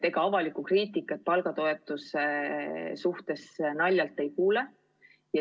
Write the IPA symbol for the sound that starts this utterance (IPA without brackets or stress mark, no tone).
e̞